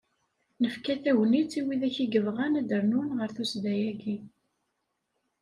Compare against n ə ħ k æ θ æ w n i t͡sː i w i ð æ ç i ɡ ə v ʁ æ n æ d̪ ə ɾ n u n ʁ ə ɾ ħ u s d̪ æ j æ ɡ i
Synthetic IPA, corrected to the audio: n ə f k æ θ æ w n i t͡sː i w i ð æ ç i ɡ ə v ʁ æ n æ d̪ ə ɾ n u n ʁ ə ɾ θ u s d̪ æ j æ ɡ i